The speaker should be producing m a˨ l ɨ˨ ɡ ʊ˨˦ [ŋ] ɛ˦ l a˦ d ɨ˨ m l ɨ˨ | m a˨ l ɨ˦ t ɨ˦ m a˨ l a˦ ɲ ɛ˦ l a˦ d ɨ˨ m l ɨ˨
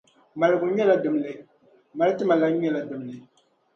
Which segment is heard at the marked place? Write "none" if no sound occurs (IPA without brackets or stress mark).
ɲ